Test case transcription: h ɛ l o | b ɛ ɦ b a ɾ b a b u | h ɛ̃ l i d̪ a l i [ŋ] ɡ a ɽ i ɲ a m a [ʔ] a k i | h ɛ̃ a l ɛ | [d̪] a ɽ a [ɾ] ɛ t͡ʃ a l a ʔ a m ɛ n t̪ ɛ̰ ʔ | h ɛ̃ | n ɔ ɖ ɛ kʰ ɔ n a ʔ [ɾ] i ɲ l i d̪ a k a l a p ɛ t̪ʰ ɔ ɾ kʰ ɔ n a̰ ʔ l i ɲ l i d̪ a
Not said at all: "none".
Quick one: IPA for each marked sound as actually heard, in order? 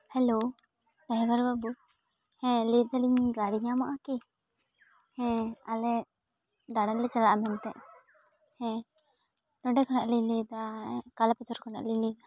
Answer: ɲ, ʔ, d̪, l, l

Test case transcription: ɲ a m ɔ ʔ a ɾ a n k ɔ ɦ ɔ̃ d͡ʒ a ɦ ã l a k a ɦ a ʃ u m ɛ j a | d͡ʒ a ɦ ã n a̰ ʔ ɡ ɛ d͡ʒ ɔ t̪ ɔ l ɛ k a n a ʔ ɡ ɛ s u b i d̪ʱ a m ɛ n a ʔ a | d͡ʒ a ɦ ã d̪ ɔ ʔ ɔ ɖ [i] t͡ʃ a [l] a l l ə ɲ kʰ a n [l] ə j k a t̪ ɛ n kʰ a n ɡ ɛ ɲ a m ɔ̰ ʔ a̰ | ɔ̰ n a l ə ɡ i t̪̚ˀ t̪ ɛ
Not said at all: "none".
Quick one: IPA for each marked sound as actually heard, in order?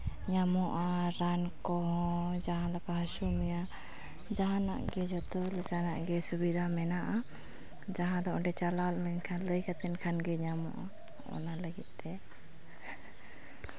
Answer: ɛ, l, l

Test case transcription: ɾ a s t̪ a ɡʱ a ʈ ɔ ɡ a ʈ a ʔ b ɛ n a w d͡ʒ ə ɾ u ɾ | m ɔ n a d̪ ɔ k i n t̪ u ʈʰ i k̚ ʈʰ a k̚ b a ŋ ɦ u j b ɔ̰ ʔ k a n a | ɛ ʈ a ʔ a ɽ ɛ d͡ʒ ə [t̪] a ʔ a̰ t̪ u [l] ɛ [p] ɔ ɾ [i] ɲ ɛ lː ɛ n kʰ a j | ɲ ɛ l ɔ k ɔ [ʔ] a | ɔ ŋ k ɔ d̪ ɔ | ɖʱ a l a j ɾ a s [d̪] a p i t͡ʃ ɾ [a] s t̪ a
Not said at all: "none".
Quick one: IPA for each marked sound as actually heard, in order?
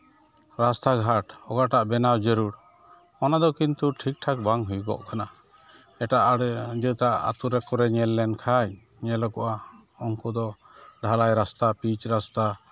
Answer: t̪, ɾ, k, ɛ, ʔ, t̪, a

